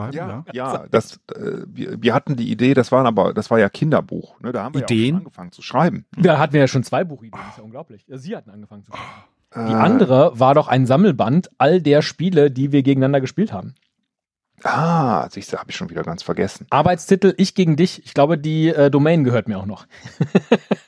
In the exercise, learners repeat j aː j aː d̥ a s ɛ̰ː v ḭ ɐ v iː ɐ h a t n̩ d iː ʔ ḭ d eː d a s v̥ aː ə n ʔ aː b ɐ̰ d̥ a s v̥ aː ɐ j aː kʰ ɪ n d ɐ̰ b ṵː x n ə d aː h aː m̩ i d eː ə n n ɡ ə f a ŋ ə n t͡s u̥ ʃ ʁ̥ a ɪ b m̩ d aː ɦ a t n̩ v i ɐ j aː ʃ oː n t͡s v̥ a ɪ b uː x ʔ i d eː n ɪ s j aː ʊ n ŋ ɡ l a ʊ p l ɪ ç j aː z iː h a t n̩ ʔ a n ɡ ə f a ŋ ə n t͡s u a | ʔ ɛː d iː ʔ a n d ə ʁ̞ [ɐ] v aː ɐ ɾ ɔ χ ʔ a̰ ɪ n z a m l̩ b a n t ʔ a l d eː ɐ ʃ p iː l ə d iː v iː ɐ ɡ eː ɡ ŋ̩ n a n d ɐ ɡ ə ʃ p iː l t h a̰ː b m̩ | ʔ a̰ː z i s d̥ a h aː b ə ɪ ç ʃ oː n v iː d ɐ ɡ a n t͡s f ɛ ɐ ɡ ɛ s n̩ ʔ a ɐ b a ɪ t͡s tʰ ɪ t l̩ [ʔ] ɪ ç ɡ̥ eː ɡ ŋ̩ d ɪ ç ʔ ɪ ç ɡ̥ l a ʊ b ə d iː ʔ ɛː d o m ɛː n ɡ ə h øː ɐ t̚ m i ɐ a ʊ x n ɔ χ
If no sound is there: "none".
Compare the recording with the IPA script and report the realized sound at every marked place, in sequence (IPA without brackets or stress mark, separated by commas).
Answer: ə, ʔ